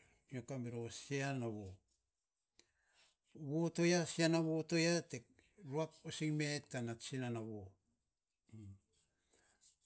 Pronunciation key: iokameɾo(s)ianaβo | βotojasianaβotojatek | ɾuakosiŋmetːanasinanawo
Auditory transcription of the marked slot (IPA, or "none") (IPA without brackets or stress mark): s